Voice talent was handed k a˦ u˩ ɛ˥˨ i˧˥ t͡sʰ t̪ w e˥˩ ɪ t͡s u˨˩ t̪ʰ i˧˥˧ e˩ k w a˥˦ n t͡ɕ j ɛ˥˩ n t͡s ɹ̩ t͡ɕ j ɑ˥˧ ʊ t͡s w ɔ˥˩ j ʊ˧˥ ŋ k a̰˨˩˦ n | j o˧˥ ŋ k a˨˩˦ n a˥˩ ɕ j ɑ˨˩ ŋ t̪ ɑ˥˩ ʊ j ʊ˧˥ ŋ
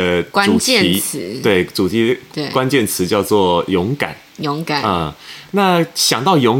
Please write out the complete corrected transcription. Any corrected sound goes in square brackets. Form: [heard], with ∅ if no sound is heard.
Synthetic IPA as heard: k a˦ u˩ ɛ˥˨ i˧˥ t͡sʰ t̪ w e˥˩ ɪ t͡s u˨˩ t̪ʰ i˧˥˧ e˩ k w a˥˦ n t͡ɕ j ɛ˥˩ n [t͡sʰ] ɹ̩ t͡ɕ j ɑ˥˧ ʊ t͡s w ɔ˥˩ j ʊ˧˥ ŋ k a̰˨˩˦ n | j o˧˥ ŋ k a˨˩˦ n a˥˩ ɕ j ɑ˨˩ ŋ t̪ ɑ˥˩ ʊ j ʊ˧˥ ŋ